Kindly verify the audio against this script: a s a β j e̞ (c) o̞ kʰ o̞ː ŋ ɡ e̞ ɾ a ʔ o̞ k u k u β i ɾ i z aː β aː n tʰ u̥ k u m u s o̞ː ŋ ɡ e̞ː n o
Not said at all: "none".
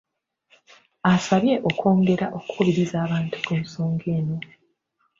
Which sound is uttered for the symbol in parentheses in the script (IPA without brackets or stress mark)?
ʔ